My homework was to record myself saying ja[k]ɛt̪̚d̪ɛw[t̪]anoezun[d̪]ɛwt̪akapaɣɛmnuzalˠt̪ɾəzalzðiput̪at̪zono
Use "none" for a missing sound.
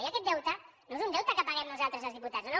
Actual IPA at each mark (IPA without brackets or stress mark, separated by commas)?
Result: k, t̪, d̪